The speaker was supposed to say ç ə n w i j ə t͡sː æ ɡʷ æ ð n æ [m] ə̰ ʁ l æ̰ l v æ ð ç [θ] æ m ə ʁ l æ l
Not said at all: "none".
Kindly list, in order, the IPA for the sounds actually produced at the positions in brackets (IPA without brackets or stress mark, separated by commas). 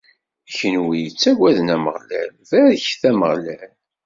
m, θ